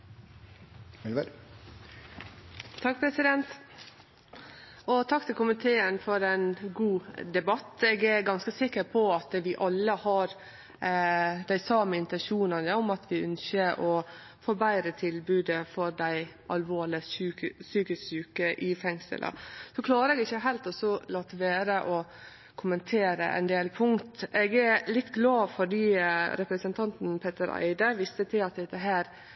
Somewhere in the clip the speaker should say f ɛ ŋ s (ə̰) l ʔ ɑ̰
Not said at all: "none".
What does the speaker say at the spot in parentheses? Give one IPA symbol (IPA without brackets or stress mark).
ə̰